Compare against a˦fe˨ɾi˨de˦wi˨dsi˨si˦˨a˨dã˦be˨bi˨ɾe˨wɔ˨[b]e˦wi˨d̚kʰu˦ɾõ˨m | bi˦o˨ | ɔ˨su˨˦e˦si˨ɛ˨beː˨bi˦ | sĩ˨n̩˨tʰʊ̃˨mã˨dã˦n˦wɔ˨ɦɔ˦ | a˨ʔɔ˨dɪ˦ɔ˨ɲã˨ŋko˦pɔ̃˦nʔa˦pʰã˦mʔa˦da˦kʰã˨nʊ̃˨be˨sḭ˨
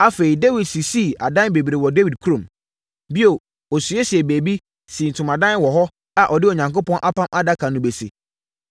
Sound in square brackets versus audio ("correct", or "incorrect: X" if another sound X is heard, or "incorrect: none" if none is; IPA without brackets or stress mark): incorrect: d